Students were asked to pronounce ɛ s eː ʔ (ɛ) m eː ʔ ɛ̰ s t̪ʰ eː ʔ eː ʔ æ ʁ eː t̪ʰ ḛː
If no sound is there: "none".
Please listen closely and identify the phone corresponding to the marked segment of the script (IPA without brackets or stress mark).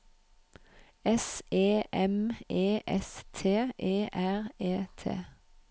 ɛ